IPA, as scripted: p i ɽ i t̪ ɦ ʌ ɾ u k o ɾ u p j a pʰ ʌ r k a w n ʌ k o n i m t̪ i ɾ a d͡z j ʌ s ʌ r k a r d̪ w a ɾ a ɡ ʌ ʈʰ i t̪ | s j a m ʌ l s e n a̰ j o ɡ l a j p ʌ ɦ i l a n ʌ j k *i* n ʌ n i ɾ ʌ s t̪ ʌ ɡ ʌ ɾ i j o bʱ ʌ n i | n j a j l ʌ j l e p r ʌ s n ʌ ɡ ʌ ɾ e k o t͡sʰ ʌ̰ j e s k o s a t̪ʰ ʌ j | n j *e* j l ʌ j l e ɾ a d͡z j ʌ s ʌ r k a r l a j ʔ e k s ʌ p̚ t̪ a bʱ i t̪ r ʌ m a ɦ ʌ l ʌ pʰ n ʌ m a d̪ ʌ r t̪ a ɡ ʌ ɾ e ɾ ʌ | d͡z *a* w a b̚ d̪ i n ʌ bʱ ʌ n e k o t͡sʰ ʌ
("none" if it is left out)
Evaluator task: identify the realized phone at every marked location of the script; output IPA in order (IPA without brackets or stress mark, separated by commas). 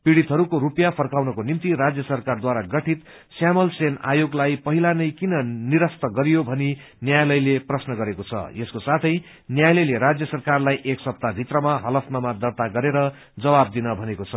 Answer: i, a, ʌ